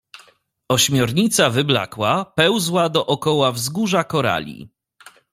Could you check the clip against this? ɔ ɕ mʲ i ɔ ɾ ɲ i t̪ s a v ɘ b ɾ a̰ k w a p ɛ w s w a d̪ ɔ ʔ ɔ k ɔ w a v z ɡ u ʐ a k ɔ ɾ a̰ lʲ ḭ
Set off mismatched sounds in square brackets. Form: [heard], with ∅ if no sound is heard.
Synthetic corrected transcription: ɔ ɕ mʲ [j] ɔ ɾ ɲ i t̪ s a v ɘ b [l] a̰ k w a p ɛ w [z] w a d̪ ɔ ʔ ɔ k ɔ w a v z ɡ u ʐ a k ɔ ɾ a̰ lʲ ḭ